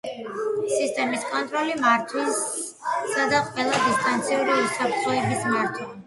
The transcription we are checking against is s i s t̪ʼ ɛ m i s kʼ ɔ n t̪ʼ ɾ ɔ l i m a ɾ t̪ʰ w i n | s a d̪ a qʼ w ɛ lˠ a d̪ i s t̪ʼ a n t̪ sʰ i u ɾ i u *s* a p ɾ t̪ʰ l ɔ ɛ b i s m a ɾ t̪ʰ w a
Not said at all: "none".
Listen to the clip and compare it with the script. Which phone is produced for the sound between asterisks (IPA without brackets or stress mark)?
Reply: s